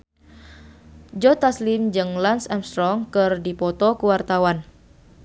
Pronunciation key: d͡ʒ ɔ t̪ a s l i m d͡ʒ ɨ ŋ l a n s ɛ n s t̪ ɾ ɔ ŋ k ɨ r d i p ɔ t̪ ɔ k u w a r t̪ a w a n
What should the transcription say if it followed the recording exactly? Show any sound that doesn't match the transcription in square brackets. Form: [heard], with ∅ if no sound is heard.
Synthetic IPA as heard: d͡ʒ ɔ t̪ a s l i m d͡ʒ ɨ ŋ l a n s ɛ [m] s t̪ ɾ ɔ ŋ k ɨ r d i p ɔ t̪ ɔ k u w a r t̪ a w a n